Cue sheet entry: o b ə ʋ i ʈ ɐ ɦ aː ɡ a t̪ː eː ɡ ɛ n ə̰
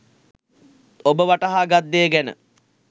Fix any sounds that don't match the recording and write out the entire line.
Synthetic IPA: o b ə ʋ a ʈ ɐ ɦ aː ɡ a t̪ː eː ɡ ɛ n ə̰